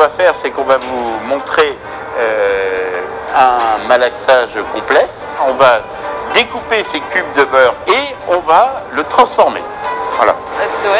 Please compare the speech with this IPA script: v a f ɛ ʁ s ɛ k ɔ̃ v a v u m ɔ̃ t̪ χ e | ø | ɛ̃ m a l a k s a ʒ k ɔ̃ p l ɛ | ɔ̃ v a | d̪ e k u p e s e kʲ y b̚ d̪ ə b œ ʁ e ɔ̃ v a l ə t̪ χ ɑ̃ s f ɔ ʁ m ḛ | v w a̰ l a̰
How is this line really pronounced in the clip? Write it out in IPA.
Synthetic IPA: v a f ɛ ʁ s ɛ k ɔ̃ v a v u m ɔ̃ t̪ χ e | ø | ɛ̃ m a l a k s a ʒ k ɔ̃ p l ɛ | ɔ̃ v a | d̪ e k u p e s e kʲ y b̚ d̪ ə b œ ʁ e ɔ̃ v a l ə t̪ χ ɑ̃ s f ɔ ʁ m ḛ | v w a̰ l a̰